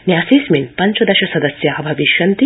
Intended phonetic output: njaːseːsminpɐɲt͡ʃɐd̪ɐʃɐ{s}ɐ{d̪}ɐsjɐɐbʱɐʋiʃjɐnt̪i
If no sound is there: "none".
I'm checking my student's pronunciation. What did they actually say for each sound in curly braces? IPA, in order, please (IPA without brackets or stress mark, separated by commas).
s, d̪